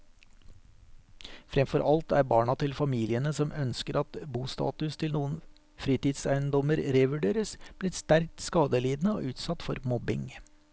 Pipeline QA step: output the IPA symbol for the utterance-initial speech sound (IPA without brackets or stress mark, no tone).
f